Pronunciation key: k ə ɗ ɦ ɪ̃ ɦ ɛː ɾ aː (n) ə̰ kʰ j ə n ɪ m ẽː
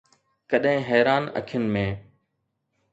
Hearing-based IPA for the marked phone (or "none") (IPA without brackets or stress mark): n